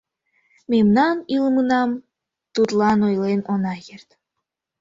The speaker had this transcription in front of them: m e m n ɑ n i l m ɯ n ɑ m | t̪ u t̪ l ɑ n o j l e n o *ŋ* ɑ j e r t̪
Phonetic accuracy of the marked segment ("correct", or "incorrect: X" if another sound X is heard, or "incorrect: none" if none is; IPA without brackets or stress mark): incorrect: n